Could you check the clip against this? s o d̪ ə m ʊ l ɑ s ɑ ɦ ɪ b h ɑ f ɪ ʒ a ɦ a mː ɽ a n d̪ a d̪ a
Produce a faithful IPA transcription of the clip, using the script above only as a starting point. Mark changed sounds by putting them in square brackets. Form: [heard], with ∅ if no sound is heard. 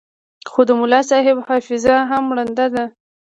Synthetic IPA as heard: [x] o d̪ ə m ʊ l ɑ s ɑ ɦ ɪ b h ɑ f ɪ [z] a ɦ a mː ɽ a n d̪ a d̪ a